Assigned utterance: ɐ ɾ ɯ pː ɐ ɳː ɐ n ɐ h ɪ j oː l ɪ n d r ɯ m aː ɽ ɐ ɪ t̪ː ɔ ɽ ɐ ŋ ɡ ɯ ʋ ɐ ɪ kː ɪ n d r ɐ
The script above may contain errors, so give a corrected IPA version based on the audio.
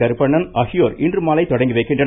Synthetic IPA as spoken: ɐ ɾ ɯ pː ɐ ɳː ɐ n ɐ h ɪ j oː ɾ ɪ n d r ɯ m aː l ɐ ɪ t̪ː ɔ ɽ ɐ ŋ ɡ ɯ ʋ ɐ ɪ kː ɪ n d r ɐ

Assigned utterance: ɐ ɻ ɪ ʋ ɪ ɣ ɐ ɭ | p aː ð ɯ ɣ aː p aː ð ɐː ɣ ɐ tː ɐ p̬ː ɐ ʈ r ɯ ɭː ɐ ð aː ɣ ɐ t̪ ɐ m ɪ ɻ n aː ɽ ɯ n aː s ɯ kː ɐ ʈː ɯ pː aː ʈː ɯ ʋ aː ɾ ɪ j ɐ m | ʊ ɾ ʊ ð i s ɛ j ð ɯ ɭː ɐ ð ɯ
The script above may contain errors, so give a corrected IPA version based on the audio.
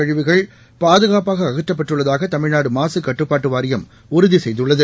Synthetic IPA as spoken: ɐ ɻ ɪ ʋ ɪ ɣ ɐ ɭ | p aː ð ɯ ɣ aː p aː ɣ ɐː ɣ ɐ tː ɐ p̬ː ɐ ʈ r ɯ ɭː ɐ ð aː ɣ ɐ t̪ ɐ m ɪ ɻ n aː ɽ ɯ m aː s ɯ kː ɐ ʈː ɯ pː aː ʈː ɯ ʋ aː ɾ ɪ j ɐ m | ʊ ɾ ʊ ð i s ɛ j ð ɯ ɭː ɐ ð ɯ

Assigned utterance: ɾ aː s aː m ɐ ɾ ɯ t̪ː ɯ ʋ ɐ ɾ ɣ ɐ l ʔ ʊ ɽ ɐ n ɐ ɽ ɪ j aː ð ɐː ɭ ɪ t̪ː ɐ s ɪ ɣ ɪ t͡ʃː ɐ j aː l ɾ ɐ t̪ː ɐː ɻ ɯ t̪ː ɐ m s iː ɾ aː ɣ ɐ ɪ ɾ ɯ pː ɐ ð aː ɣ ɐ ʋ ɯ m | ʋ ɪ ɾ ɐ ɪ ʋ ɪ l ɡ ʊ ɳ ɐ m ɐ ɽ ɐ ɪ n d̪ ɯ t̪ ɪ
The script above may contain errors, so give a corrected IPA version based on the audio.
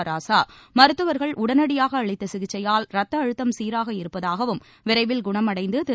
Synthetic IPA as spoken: ɾ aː s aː m ɐ ɾ ɯ t̪ː ɯ ʋ ɐ ɾ ɣ ɐ ɭ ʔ ʊ ɽ ɐ n ɐ ɽ ɪ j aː ɣ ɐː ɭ ɪ t̪ː ɐ s ɪ ɣ ɪ t͡ʃː ɐ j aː l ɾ ɐ t̪ː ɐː ɻ ɯ t̪ː ɐ m s iː ɾ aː ɣ ɐ ɪ ɾ ɯ pː ɐ ð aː ɣ ɐ ʋ ɯ m | ʋ ɪ ɾ ɐ ɪ ʋ ɪ l ɡ ʊ ɳ ɐ m ɐ ɽ ɐ ɪ n d̪ ɯ t̪ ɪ

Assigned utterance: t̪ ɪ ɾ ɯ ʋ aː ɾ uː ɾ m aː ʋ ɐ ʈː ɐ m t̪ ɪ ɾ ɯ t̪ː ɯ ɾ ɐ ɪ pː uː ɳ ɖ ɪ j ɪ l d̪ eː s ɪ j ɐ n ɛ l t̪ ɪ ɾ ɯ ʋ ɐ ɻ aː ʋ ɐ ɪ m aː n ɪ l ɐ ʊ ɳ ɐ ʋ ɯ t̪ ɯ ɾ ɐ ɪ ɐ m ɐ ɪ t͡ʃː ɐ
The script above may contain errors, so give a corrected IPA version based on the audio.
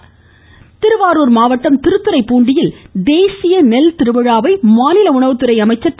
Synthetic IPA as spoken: t̪ ɪ ɾ ɯ ʋ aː ɾ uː ɾ m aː ʋ ɐ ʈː ɐ m t̪ ɪ ɾ ɯ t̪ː ɯ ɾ ɐ ɪ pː uː ɳ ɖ ɪ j ɪ l d̪ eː s ɪ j ɐ n ɛ l t̪ ɪ ɾ ɯ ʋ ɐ ɻ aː ʋ ɐ ɪ m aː n ɪ l ɐ ʊ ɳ ɐ ʋ ɯ t̪ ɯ ɾ ɐ ɪ ɐ m ɐ ɪ t͡ʃː ɐ

